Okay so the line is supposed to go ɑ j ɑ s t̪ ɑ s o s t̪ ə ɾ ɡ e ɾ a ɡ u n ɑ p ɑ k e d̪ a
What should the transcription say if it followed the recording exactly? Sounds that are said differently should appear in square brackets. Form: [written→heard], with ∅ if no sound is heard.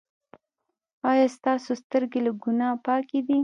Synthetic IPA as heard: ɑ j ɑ s t̪ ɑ s o s t̪ ə ɾ ɡ e [ɾ→l] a ɡ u n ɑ p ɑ k e d̪ [a→i]